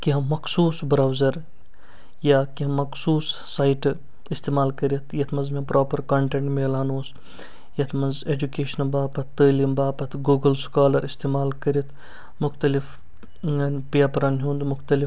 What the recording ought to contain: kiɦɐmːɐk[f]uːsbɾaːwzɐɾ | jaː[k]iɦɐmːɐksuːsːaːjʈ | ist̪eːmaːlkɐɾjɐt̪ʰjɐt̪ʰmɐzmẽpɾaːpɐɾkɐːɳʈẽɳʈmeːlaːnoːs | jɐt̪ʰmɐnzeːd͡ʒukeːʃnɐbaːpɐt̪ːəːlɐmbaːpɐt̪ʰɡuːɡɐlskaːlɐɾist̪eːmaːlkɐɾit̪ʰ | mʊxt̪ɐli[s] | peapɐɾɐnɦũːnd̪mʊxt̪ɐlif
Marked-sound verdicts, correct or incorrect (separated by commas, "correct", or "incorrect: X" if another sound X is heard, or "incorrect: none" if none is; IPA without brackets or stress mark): incorrect: s, correct, incorrect: f